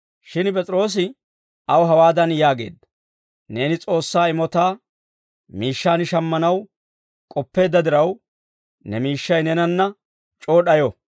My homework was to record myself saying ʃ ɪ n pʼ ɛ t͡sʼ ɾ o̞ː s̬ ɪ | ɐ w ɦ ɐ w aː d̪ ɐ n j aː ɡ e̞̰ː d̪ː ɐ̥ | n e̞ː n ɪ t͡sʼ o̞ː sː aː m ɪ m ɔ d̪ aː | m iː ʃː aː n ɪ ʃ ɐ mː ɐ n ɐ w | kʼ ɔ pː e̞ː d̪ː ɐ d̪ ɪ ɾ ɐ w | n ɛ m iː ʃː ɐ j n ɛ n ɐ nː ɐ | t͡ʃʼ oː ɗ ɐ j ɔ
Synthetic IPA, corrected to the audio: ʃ ɪ n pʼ ɛ t͡sʼ ɾ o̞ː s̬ ɪ | ɐ w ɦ ɐ w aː d̪ ɐ n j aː ɡ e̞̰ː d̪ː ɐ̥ | n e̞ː n ɪ t͡sʼ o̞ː sː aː ɪ m ɔ t̪ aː | m iː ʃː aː n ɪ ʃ ɐ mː ɐ n ɐ w | kʼ ɔ pː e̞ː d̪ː ɐ d̪ ɪ ɾ ɐ w | n ɛ m iː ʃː ɐ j n ɛ n ɐ nː ɐ | t͡ʃʼ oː ɗ ɐ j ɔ